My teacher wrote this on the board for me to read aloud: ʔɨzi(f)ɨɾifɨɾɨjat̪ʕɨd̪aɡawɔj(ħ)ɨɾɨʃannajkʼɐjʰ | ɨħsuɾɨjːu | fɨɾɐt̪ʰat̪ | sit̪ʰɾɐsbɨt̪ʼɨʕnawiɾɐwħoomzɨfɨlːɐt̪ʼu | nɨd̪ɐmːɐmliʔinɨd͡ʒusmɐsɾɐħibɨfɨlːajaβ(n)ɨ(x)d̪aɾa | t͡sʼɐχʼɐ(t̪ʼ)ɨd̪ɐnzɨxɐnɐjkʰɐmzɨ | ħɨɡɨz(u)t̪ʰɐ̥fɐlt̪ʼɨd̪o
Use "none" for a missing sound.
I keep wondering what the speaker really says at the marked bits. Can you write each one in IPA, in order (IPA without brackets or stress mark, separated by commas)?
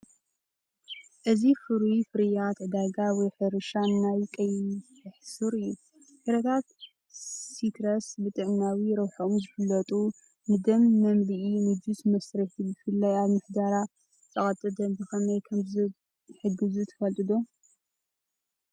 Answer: f, ħ, m, ħ, t̪ʼ, u